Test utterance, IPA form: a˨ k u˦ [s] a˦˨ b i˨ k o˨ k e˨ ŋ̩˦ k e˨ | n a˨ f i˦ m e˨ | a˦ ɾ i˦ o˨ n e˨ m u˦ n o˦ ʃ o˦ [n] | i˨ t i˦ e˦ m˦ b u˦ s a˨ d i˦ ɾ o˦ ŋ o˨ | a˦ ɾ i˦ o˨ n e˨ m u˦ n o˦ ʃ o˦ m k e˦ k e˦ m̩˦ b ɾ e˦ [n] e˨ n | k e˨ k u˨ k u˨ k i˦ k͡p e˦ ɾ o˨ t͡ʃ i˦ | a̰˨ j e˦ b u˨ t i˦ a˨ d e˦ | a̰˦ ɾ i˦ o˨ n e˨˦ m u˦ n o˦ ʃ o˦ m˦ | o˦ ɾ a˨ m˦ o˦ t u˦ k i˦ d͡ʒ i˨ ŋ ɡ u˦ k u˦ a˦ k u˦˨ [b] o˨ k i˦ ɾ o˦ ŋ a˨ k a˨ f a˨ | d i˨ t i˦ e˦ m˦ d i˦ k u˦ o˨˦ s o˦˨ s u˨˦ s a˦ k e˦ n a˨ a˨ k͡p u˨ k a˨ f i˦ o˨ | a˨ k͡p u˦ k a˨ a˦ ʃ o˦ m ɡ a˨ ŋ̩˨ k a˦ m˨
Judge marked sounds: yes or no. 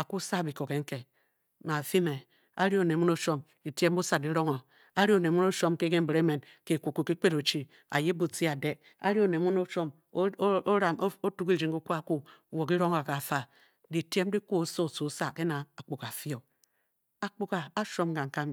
yes, no, no, no

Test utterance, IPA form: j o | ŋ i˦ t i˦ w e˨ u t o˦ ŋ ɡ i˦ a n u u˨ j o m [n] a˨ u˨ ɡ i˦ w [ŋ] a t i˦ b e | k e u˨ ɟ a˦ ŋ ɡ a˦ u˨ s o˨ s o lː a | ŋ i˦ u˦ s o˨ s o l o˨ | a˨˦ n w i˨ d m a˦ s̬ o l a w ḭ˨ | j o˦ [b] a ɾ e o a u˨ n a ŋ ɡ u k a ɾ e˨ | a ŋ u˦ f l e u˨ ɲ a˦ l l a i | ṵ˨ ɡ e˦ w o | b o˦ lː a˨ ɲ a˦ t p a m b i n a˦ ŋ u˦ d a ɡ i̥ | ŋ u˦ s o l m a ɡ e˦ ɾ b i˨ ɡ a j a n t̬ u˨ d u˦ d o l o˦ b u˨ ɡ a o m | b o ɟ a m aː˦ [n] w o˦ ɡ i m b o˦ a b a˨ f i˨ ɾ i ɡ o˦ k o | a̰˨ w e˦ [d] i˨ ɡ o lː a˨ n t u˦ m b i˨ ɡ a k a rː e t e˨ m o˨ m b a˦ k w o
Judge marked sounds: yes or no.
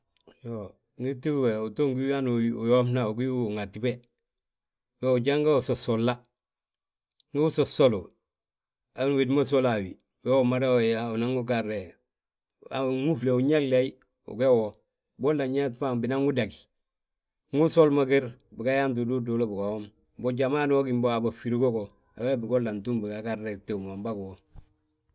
yes, yes, no, yes, no

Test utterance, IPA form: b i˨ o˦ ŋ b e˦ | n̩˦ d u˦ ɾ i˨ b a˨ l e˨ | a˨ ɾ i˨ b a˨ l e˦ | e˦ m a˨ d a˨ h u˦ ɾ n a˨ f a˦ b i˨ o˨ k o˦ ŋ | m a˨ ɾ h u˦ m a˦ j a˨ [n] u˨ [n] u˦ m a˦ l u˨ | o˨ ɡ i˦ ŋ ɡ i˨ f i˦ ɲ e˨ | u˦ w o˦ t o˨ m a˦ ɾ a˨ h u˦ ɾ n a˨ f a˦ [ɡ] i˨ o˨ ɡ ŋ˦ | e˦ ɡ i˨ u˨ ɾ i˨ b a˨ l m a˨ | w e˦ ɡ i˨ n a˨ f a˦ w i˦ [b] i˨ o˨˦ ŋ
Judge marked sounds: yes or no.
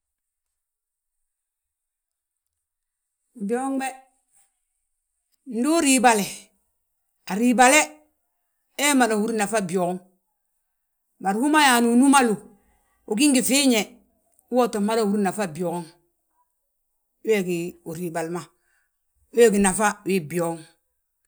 yes, yes, no, yes

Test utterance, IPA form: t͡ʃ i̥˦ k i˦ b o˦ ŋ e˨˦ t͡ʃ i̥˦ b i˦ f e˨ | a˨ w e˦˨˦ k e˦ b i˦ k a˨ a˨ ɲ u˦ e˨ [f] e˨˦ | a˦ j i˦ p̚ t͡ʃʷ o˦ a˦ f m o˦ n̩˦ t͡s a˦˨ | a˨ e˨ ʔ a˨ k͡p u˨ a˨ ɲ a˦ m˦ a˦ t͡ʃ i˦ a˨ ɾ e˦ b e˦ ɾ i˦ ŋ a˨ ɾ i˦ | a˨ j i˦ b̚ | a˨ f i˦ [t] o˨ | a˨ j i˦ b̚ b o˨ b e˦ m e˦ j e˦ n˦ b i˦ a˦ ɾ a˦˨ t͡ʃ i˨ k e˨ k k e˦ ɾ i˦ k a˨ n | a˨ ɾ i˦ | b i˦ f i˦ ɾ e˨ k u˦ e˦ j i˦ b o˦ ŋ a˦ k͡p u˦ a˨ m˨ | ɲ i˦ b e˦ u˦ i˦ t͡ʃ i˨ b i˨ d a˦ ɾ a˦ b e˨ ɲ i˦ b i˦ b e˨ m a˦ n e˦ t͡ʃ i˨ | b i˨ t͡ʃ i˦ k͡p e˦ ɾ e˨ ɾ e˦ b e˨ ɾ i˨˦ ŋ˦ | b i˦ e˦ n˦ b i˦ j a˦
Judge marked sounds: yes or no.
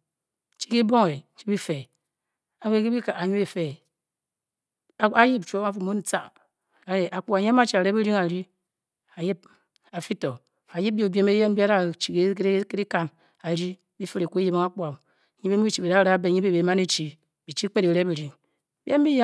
yes, yes

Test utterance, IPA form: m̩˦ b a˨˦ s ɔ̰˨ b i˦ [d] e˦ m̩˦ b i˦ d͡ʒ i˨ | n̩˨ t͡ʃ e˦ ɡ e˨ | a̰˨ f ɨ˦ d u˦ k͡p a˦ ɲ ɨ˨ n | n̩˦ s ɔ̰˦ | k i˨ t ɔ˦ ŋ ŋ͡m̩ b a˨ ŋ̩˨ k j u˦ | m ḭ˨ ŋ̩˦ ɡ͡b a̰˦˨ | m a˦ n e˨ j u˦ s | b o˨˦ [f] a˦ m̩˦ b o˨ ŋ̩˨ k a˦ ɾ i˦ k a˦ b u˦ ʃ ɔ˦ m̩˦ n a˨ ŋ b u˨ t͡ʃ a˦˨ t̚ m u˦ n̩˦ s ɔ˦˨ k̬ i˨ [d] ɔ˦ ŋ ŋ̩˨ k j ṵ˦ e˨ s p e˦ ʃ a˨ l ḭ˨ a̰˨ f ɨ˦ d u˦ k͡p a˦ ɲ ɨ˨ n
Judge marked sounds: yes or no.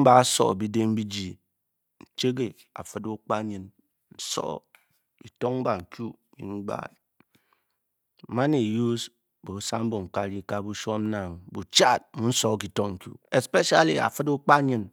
yes, no, no

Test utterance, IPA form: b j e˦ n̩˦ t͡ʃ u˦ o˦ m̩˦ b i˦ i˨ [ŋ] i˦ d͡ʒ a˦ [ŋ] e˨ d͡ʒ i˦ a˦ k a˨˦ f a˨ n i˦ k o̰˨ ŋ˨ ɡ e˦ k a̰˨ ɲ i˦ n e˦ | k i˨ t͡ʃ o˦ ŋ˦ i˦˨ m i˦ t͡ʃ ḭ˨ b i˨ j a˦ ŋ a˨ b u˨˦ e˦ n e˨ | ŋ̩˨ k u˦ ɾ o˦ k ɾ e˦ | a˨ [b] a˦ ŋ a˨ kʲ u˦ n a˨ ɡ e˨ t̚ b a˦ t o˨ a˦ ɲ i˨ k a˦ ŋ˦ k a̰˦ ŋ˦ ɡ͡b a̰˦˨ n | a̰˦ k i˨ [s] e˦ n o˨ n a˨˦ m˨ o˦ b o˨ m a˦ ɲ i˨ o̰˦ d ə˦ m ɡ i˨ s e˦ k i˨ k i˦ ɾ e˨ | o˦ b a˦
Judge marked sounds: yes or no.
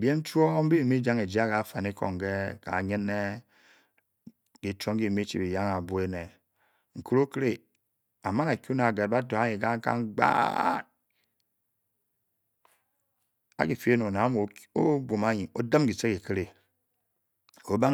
no, yes, no, no

